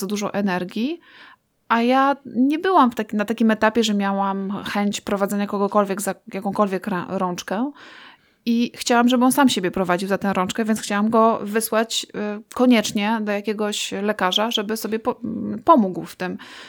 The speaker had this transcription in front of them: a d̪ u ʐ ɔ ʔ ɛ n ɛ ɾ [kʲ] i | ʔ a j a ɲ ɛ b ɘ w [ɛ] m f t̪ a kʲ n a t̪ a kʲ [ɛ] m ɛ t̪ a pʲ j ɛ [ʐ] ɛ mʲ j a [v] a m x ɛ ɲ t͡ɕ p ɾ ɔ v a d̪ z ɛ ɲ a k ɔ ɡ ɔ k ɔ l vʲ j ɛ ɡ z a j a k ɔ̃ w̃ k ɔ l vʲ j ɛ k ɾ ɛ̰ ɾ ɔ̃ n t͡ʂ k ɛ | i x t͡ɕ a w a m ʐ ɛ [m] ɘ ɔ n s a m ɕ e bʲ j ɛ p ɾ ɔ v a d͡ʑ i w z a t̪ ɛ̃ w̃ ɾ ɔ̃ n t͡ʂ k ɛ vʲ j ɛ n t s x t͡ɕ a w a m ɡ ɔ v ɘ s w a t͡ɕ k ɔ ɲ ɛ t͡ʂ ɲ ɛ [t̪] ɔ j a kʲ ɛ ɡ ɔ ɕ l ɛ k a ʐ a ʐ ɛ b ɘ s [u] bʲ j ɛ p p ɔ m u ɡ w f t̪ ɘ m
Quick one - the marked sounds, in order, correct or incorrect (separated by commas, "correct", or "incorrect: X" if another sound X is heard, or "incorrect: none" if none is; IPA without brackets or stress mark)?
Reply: incorrect: ɡʲ, incorrect: a, incorrect: i, correct, incorrect: w, incorrect: b, incorrect: d̪, incorrect: ɔ